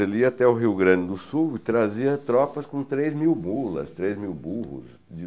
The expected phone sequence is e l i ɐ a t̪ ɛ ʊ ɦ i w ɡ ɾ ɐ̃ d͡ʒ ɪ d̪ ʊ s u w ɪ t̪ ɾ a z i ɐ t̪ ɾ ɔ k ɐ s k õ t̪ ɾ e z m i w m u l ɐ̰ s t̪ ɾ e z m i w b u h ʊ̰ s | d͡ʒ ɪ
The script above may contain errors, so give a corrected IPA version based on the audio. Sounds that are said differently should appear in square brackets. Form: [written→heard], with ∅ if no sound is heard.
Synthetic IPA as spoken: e l i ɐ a t̪ ɛ ʊ ɦ i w ɡ ɾ ɐ̃ d͡ʒ ɪ d̪ ʊ s u w ɪ t̪ ɾ a z i ɐ t̪ ɾ ɔ [k→p] ɐ s k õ t̪ ɾ e z m i w m u l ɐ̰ s t̪ ɾ e z m i w b u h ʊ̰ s | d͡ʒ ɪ